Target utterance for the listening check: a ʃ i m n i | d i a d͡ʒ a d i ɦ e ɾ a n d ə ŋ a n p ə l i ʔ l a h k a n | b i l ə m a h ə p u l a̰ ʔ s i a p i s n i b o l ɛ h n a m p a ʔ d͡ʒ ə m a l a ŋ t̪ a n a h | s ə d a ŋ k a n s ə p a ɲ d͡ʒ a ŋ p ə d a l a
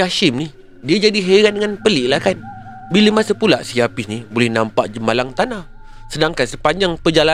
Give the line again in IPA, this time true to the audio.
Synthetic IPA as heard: a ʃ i m n i | d i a d͡ʒ a d i ɦ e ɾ a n d ə ŋ a n p ə l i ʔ l a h k a n | b i l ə m a s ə p u l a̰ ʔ s i a p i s n i b o l ɛ h n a m p a ʔ d͡ʒ ə m a l a ŋ t̪ a n a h | s ə d a ŋ k a n s ə p a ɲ d͡ʒ a ŋ p ə d͡ʒ a l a